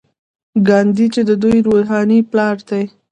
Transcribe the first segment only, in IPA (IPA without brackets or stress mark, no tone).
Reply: ɡ